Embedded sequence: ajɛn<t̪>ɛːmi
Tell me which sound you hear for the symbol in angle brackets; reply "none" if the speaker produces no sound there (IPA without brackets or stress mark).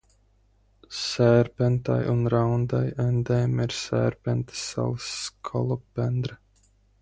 d̪